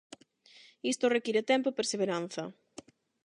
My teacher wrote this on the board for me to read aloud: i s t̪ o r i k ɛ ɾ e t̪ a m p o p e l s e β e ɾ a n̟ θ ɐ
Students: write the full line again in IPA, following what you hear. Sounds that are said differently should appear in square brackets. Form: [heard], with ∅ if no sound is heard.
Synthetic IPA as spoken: i s t̪ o r [e] k [i] ɾ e t̪ [ɛ] m p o p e [ɾ] s e β e ɾ a n̟ θ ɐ